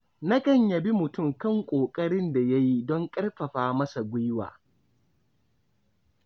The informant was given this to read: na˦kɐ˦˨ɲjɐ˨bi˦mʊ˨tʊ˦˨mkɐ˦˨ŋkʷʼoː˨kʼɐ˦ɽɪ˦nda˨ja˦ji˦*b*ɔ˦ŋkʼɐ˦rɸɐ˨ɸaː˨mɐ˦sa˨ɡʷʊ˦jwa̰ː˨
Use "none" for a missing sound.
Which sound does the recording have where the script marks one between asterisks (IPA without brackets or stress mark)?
d